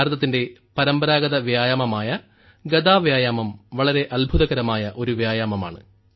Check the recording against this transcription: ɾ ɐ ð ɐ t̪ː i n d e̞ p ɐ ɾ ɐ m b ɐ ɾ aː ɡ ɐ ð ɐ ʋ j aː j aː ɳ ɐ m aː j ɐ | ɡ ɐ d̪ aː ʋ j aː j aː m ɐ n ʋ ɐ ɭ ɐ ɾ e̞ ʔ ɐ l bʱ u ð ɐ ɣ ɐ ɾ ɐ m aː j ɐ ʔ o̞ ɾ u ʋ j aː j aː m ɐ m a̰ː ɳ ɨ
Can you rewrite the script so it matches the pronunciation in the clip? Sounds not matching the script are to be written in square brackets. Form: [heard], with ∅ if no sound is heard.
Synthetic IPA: ɾ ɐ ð ɐ t̪ː i n d e̞ p ɐ ɾ ɐ m b ɐ ɾ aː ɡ ɐ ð ɐ ʋ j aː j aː [m] ɐ m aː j ɐ | ɡ ɐ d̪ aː ʋ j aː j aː m ɐ [m] ʋ ɐ ɭ ɐ ɾ e̞ ʔ ɐ l bʱ u ð ɐ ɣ ɐ ɾ ɐ m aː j ɐ ʔ o̞ ɾ u ʋ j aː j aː m ɐ m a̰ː ɳ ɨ